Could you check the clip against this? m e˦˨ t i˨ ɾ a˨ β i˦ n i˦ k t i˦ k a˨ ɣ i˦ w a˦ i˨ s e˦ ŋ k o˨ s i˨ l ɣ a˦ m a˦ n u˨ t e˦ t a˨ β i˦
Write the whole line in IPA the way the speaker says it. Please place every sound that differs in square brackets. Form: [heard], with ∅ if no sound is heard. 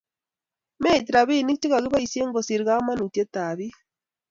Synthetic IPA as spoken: m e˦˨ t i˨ ɾ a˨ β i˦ n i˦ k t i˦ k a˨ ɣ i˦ [β] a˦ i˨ s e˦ ŋ [ɡ] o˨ s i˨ [ɾ] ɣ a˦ m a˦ n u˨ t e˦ t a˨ β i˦

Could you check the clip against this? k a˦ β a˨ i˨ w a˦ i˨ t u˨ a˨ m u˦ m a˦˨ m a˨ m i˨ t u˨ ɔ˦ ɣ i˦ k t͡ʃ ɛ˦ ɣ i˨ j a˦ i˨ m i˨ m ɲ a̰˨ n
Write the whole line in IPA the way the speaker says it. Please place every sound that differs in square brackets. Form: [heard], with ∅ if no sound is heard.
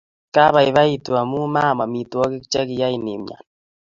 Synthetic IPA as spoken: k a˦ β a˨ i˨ [β] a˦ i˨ t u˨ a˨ m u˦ m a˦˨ m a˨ m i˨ t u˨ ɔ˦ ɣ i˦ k t͡ʃ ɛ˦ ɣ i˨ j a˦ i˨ [n] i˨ m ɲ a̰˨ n

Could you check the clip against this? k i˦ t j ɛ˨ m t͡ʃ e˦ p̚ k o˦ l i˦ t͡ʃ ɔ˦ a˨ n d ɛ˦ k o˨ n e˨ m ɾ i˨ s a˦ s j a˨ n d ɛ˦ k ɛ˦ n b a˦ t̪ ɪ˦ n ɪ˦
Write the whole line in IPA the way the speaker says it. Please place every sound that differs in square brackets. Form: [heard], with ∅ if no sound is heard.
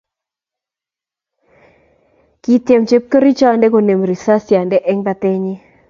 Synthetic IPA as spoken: k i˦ t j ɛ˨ m t͡ʃ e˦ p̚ k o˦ [ɾ] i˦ t͡ʃ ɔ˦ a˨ n d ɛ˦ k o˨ n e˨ m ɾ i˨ s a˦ s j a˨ n d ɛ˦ [ʔ] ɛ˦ [ŋ] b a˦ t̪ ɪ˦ [ɲ] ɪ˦

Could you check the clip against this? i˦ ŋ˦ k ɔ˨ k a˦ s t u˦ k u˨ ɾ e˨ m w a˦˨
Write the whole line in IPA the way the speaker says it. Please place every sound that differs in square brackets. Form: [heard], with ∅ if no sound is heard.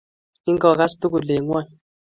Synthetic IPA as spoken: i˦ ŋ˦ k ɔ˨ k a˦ s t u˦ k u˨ [l] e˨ [ŋ] w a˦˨

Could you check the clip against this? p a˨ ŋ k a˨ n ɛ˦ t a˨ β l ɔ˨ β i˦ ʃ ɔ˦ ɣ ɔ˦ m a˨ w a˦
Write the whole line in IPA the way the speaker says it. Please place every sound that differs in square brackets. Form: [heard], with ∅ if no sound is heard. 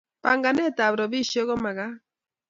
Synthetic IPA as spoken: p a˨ ŋ [ɡ] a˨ n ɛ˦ t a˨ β [ɾ] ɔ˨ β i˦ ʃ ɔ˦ ɣ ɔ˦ m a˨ [ɣ] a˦

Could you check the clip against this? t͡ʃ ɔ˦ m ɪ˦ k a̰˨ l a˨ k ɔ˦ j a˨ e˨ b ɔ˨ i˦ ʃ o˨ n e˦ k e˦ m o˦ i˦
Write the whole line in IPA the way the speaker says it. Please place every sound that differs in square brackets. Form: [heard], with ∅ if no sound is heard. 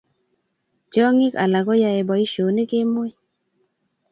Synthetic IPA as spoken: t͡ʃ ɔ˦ [ŋ] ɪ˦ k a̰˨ l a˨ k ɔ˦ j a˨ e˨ b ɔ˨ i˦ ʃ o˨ n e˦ k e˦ m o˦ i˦

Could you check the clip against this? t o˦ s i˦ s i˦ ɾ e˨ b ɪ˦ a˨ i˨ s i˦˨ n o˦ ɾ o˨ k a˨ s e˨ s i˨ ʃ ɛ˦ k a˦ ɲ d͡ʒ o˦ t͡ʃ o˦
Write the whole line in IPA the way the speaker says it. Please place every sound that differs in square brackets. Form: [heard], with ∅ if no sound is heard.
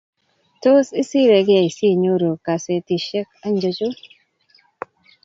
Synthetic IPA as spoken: t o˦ s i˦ s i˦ ɾ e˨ [ɡ] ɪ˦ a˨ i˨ s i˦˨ [ɲ] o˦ ɾ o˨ k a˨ s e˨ [t] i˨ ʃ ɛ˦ k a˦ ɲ d͡ʒ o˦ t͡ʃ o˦

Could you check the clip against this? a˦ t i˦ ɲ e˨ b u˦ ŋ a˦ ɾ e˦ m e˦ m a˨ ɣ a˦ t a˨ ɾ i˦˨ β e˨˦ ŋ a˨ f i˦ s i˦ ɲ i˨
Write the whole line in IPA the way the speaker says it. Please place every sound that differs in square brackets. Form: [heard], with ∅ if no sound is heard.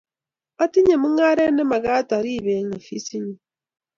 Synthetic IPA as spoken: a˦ t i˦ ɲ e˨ [m] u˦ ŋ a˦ ɾ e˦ [n] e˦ m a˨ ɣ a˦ t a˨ ɾ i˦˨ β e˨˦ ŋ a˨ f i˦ s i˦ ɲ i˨

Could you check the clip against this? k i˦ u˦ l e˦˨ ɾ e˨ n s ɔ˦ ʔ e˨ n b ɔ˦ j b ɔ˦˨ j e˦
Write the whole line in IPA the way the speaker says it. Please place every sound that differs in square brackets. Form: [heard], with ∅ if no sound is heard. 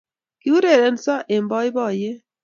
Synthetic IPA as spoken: k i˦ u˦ [ɾ] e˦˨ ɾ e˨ n s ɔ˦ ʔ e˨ [m] b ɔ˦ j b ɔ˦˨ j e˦

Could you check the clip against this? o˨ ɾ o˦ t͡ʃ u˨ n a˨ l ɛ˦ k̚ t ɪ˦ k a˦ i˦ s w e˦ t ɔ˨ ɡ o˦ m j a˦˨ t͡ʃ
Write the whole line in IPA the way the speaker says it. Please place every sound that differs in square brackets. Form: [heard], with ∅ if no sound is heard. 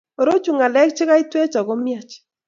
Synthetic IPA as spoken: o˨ ɾ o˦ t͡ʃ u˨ [ŋ] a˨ l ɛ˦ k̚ [t͡ʃ] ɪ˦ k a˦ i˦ [t] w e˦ [t͡ʃ] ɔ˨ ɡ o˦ m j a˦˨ t͡ʃ

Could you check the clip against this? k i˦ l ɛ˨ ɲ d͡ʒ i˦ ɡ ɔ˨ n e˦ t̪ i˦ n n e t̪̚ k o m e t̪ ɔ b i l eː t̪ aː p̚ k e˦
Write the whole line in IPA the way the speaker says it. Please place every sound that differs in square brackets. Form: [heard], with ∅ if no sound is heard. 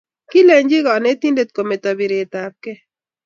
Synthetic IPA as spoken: k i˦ l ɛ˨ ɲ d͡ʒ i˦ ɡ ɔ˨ n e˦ t̪ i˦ n [d] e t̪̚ k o m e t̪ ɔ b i [ɾ] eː t̪ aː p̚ k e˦

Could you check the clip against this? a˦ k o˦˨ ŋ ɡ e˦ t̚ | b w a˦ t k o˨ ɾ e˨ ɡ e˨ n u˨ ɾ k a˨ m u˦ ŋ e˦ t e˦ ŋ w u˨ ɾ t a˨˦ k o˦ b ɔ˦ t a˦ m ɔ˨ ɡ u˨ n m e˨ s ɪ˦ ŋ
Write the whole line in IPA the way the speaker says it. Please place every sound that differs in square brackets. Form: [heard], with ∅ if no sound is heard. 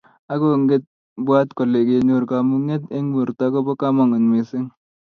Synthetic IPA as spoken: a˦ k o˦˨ ŋ ɡ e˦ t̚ | b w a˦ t k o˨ [l] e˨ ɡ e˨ n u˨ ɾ k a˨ m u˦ ŋ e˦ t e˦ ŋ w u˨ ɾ t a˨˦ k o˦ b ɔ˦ [k] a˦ m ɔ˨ [ŋ] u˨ n m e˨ s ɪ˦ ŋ

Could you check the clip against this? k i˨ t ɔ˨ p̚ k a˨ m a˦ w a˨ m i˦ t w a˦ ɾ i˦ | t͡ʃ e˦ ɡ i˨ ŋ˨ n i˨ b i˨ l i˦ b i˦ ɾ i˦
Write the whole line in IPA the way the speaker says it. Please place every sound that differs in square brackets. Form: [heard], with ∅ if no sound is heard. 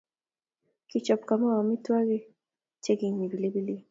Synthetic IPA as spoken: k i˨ [t͡ʃ] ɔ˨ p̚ k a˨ m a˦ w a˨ m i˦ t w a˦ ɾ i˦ | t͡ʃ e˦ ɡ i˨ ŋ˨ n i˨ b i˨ l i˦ b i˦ [l] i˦

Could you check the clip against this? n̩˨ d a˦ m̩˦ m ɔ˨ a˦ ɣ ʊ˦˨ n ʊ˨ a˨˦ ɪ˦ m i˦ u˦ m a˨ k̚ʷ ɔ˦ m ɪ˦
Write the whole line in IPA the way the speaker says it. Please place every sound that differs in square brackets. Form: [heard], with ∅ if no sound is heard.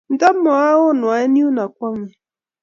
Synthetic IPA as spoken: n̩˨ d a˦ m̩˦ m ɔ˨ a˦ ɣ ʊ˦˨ n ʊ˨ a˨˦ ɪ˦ [n] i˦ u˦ [n] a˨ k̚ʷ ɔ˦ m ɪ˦

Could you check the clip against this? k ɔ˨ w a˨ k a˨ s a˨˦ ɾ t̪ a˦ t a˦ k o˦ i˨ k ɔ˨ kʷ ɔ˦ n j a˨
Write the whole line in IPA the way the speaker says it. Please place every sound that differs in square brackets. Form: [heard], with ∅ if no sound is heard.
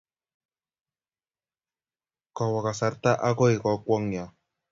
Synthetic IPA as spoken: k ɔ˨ w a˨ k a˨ s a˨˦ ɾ t̪ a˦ [ʔ] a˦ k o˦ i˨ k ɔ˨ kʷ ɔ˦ [ŋ] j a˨

